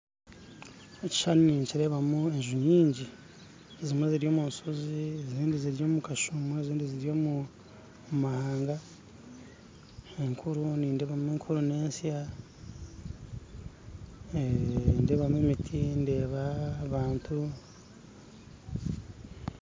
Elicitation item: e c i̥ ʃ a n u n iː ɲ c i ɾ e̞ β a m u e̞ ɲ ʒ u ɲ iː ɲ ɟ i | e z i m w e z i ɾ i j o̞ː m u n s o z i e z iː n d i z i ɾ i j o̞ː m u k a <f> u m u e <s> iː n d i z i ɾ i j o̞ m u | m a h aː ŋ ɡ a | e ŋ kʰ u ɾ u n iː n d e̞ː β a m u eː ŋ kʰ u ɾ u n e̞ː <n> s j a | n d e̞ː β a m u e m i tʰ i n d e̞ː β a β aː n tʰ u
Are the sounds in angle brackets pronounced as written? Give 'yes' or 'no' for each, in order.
no, no, yes

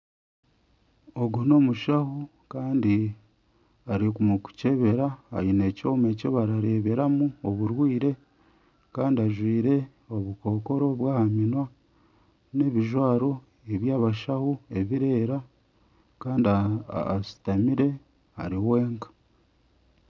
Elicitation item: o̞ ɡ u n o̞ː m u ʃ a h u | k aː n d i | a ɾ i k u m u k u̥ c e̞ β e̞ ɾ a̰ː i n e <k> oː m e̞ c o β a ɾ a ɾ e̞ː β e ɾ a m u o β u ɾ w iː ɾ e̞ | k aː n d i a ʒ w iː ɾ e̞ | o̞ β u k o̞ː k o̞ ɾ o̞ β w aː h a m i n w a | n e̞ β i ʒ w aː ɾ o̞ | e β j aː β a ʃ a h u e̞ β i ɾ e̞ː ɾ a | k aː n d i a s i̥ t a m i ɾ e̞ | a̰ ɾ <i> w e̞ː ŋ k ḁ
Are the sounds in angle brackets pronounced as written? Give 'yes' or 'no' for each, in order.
no, yes

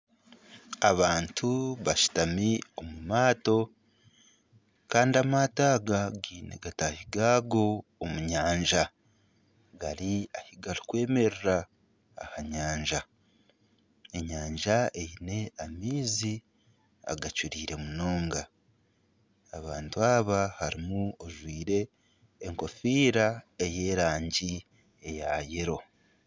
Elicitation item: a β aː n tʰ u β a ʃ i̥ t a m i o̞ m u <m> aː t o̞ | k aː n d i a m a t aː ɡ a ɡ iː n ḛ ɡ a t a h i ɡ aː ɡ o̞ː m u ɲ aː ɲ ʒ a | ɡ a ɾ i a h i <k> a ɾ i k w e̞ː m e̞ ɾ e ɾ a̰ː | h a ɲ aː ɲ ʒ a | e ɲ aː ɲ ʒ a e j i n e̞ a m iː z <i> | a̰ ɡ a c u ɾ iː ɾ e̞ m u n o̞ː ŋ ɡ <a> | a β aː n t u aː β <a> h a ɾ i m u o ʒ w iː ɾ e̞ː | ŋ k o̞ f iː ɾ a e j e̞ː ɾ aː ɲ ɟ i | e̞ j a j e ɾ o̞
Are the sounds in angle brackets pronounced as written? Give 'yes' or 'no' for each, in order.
yes, no, yes, yes, yes

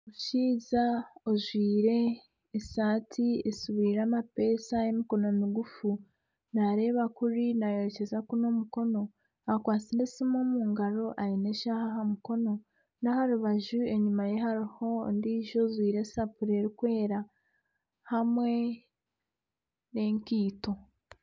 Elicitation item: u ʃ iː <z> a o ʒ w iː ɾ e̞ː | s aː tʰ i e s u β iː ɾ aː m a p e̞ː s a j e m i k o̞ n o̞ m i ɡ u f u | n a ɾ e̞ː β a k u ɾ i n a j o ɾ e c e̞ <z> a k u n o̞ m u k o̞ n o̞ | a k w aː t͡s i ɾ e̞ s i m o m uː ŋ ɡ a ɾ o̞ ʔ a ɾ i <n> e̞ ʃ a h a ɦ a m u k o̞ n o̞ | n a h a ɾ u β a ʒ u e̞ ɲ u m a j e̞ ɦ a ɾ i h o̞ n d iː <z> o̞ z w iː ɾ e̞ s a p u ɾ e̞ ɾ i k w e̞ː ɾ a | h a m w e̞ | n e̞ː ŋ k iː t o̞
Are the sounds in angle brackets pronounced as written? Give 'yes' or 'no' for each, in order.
yes, yes, yes, no

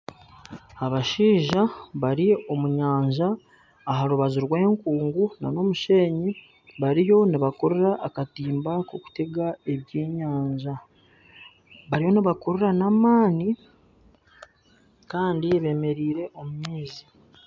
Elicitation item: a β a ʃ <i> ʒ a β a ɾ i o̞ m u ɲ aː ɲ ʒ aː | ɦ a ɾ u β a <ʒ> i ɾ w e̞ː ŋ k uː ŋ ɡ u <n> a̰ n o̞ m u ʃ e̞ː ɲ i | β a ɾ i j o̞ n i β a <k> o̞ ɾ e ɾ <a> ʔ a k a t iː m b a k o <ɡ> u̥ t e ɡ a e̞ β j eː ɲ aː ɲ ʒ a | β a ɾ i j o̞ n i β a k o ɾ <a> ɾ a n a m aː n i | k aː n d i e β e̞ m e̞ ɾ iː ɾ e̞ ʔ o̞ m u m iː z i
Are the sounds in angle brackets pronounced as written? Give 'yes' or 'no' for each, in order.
no, no, yes, yes, yes, no, no

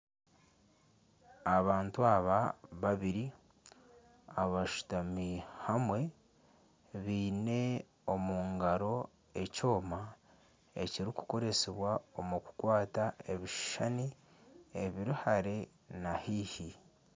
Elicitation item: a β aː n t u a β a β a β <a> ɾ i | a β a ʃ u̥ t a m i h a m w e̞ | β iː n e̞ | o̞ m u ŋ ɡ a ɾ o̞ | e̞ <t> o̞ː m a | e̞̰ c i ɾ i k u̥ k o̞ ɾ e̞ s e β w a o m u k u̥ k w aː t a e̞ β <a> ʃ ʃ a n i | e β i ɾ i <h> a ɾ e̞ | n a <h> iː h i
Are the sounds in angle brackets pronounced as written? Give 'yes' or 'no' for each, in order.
no, no, no, yes, yes

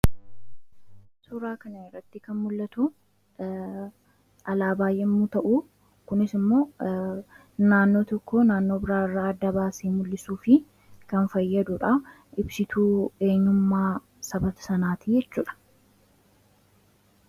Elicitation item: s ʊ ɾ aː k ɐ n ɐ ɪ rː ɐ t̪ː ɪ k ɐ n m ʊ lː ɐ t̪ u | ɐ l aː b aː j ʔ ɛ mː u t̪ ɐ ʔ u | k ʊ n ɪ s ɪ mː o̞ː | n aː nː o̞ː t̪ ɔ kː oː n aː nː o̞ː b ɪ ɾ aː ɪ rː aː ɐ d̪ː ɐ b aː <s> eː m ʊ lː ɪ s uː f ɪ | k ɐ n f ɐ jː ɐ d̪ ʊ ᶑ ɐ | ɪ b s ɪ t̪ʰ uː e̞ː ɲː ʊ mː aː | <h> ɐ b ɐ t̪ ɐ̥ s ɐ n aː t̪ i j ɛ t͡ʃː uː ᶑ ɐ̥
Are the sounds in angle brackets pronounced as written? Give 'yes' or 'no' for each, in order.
yes, no

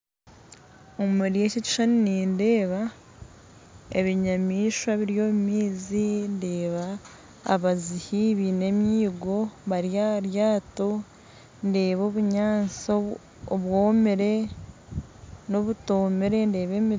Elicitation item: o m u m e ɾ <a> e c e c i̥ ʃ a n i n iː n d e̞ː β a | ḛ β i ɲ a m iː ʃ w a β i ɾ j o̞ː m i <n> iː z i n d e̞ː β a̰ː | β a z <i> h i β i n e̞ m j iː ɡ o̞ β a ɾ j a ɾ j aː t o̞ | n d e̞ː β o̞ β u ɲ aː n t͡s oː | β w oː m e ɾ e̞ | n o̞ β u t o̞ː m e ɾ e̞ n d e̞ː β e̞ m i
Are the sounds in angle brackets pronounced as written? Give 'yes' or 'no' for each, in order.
no, no, yes

